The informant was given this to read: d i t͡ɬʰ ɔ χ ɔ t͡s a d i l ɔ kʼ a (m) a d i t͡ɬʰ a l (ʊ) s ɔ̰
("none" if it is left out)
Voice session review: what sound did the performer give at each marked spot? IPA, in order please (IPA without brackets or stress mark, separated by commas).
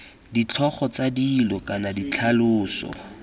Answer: n, ʊː